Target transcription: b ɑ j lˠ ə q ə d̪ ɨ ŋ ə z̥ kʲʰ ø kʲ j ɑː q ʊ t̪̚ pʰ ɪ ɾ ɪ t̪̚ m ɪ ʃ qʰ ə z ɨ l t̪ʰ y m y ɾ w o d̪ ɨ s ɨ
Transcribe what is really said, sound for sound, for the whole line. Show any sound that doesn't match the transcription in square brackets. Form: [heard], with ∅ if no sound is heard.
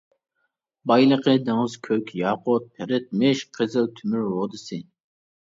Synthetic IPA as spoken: b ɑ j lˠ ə q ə d̪ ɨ ŋ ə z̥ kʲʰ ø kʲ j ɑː q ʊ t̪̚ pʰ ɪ ɾ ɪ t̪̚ m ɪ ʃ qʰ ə z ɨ l t̪ʰ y m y ɾ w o d̪ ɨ s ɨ